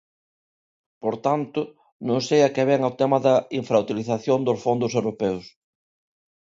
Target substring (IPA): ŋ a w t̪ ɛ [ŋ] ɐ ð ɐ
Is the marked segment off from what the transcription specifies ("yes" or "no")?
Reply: yes